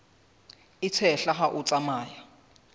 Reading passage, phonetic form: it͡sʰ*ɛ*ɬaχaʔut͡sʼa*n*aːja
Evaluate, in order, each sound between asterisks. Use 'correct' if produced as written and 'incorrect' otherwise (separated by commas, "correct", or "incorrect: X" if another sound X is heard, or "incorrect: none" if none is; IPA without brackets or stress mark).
correct, incorrect: m